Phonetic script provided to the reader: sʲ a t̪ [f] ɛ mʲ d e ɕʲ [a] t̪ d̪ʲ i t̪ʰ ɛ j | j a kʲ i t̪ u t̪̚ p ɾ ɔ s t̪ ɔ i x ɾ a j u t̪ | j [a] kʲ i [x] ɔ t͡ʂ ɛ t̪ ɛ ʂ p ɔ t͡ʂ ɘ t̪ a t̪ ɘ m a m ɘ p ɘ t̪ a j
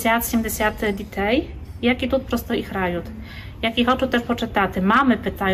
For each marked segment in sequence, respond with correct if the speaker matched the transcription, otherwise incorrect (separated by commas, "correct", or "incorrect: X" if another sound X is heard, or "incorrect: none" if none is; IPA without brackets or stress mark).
incorrect: ɕ, correct, correct, correct